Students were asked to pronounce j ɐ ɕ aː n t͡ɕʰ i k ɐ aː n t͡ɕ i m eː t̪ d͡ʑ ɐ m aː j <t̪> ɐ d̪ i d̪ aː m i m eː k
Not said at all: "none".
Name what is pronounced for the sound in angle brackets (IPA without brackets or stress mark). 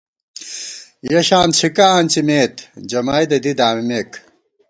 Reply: d̪